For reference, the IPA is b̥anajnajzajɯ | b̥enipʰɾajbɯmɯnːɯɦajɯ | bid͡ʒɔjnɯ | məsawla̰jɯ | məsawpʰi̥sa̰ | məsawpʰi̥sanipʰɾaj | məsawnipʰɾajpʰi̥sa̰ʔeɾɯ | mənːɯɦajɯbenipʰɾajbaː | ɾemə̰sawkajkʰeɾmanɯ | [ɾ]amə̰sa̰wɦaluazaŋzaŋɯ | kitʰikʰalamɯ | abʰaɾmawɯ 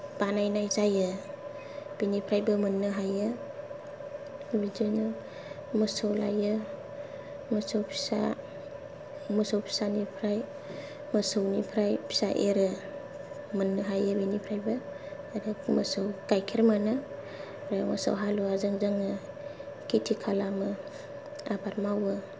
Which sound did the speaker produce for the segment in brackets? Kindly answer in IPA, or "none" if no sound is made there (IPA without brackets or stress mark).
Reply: ɾ